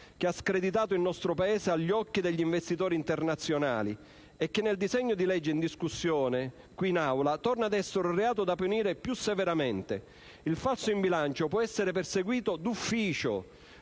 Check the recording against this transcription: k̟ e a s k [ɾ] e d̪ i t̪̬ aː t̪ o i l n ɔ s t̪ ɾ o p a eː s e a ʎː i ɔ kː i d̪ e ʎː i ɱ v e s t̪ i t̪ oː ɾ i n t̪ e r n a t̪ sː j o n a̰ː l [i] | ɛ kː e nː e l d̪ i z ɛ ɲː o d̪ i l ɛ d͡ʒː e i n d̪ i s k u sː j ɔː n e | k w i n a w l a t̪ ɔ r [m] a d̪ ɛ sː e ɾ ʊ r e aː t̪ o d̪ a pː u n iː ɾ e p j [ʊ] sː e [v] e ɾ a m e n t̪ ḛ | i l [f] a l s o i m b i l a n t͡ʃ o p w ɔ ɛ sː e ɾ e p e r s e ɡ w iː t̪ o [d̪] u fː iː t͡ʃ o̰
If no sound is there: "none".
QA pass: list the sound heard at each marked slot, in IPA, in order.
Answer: ɾ, i, n, u, v, f, d̪

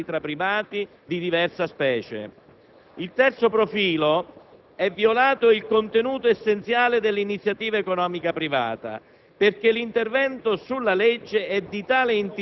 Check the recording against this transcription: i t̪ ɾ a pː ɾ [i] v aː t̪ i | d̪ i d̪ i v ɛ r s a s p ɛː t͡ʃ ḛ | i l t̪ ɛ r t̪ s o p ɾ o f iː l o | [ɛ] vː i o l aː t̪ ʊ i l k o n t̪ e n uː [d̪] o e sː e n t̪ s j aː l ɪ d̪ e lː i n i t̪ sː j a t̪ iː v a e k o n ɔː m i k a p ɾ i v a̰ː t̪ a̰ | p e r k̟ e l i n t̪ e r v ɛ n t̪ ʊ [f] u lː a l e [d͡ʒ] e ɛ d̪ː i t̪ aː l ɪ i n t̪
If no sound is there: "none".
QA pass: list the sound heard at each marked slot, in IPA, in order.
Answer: i, ɛ, t̪, s, d͡ʒː

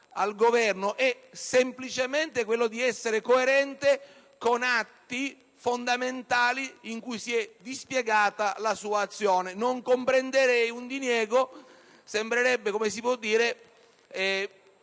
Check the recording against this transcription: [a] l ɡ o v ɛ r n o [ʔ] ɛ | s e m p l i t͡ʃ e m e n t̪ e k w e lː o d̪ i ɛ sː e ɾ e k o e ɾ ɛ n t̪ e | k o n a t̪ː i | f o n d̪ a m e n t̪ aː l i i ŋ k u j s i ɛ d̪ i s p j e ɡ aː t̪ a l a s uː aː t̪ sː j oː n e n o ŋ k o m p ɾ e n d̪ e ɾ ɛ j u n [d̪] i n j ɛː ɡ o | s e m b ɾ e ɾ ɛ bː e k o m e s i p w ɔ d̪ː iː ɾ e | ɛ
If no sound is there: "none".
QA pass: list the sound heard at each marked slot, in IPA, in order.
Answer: a, ʔ, d̪

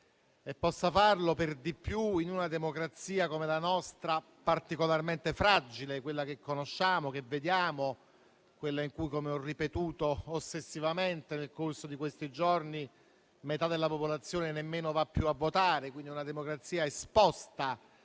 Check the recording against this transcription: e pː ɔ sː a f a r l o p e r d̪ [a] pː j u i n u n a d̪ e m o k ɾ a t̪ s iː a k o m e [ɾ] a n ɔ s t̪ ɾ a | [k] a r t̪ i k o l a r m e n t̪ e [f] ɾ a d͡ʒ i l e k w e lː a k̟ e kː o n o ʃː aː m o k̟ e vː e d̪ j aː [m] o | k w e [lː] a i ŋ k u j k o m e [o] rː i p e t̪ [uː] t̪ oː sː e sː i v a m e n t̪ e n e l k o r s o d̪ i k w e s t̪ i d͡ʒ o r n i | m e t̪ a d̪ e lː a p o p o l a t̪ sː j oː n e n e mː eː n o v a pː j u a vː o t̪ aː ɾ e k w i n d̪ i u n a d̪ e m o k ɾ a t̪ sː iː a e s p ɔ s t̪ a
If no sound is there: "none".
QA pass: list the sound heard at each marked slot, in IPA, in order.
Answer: i, l, p, f, m, lː, ɔ, uː

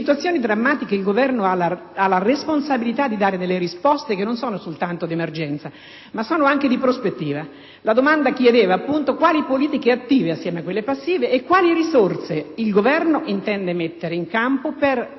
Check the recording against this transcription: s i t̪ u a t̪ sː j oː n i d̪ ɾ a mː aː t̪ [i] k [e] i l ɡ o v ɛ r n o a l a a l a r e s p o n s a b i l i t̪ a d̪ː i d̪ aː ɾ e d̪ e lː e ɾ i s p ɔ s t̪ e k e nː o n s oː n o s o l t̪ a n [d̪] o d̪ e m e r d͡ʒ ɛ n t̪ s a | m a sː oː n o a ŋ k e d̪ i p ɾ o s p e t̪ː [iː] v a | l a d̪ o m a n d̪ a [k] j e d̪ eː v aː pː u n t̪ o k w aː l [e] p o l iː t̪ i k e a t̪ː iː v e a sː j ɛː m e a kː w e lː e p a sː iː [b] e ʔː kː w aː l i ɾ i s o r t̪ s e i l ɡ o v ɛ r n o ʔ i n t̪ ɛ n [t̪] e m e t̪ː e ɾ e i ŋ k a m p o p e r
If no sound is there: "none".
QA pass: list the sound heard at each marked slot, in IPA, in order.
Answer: i, e, t̪, iː, k, i, v, d̪

